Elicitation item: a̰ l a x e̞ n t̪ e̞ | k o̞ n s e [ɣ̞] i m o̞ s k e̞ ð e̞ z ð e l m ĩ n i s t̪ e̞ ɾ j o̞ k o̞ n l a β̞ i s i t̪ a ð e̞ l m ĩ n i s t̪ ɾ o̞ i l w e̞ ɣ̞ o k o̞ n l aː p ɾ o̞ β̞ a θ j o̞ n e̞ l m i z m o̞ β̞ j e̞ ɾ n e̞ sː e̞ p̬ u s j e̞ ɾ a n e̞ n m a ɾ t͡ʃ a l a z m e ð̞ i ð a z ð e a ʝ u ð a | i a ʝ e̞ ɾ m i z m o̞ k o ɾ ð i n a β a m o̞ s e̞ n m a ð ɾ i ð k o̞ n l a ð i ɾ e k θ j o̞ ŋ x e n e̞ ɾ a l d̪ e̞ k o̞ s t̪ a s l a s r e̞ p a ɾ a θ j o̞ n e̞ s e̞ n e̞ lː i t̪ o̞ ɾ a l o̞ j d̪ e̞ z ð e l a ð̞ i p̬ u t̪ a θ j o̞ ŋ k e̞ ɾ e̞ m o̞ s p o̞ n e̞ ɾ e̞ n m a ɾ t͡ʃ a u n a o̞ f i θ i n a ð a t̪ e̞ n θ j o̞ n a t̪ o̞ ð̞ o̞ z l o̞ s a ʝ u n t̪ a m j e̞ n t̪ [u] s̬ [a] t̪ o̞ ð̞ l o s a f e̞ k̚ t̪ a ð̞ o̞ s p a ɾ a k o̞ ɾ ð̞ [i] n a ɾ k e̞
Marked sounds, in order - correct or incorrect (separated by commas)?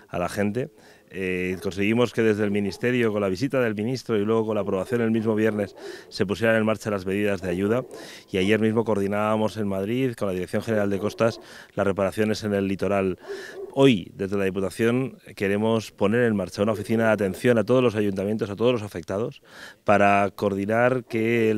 correct, incorrect, correct, correct